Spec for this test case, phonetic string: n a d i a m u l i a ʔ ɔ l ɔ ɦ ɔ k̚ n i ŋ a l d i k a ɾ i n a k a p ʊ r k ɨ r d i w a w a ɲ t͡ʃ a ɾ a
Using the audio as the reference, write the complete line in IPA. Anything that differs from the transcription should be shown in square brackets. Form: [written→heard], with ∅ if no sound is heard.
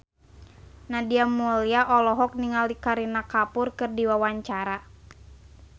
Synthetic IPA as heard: n a d i a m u l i a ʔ ɔ l ɔ ɦ ɔ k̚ n i ŋ a l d i k a ɾ i n a k a p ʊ r k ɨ r d i w a w a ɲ t͡ʃ a ɾ a